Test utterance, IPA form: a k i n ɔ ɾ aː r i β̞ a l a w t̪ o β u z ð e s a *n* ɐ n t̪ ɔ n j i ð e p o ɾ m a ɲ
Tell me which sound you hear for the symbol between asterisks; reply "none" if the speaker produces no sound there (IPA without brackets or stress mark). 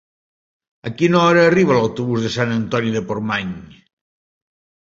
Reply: n